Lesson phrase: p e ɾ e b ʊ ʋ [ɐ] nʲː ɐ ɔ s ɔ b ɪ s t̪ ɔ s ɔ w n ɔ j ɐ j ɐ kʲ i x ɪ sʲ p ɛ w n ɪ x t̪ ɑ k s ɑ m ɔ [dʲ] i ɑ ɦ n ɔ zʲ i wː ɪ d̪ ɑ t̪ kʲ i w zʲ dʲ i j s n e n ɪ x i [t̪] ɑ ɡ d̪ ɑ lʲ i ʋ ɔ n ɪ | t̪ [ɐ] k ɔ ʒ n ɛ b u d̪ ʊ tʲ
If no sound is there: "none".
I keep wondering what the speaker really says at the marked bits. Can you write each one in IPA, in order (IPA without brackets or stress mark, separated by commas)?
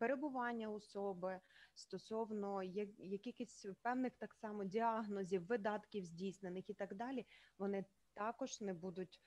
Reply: ɑ, dʲ, t̪, ɑ